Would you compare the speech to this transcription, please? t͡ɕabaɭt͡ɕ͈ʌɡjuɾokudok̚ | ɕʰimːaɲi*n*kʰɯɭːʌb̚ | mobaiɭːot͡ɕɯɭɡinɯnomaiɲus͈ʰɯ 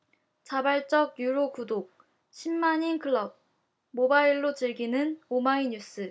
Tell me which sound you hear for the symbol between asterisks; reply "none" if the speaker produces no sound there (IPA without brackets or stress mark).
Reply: n